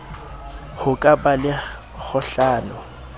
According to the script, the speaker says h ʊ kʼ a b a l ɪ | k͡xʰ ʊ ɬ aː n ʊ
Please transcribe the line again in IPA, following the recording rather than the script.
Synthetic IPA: h ʊ kʼ a b a l ɪ | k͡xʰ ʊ ɬ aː n ʊ